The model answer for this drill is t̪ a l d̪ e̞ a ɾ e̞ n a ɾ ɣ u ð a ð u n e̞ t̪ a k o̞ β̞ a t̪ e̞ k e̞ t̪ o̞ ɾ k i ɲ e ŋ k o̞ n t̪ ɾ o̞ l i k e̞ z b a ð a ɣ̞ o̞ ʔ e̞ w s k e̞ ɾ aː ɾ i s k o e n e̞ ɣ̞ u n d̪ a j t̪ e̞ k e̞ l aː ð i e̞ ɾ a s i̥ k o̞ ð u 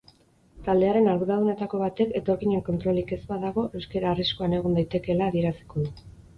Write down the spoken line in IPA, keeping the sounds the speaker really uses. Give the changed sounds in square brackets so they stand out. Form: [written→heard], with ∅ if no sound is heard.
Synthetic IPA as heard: t̪ a l d̪ e̞ a ɾ e̞ n a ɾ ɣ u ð a ð u n e̞ t̪ a k o̞ β̞ a t̪ e̞ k e̞ t̪ o̞ ɾ k i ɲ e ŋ k o̞ n t̪ ɾ o̞ l i k e̞ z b a ð a ɣ̞ o̞ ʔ e̞ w s k e̞ ɾ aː [ɾ→r] i s k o [e→a] n e̞ ɣ̞ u n d̪ a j t̪ e̞ k e̞ l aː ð i e̞ ɾ a s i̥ k o̞ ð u